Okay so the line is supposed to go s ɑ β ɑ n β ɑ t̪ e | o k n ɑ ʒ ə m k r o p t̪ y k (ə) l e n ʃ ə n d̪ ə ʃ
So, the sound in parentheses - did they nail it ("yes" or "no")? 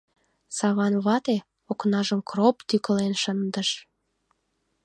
yes